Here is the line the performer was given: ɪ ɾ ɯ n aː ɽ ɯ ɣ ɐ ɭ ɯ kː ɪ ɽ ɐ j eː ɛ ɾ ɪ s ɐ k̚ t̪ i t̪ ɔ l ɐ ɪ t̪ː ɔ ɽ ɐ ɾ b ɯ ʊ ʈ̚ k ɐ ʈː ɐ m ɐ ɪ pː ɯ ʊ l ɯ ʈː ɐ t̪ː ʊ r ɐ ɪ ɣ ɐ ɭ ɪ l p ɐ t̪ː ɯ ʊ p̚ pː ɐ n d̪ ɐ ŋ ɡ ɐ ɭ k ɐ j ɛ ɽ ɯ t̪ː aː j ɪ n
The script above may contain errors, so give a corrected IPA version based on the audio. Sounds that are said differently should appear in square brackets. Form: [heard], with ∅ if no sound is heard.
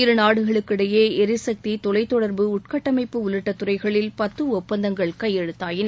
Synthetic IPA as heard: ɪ ɾ ɯ n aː ɽ ɯ ɣ ɐ ɭ ɯ kː ɪ ɽ ɐ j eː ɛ ɾ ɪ s ɐ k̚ t̪ i t̪ ɔ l ɐ ɪ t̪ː ɔ ɽ ɐ ɾ b ɯ ʊ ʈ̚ k ɐ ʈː ɐ m ɐ ɪ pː ɯ ʊ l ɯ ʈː ɐ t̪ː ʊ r ɐ ɪ ɣ ɐ ɭ ɪ l p ɐ t̪ː ɯ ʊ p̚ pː ɐ n d̪ ɐ ŋ ɡ ɐ ɭ k ɐ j ɛ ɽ ɯ t̪ː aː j ɪ n